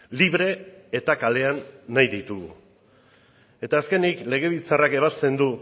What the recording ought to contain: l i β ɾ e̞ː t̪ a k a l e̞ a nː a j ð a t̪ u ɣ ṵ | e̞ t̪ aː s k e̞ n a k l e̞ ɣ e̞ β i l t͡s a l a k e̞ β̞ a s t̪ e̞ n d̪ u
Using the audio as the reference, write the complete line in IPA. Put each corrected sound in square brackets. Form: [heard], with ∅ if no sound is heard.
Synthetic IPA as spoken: l i β ɾ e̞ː t̪ a k a l e̞ a nː a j ð [i] t̪ u ɣ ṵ | e̞ t̪ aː s k e̞ n [i] k l e̞ ɣ e̞ β i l t͡s a [r] a k e̞ β̞ a s t̪ e̞ n d̪ u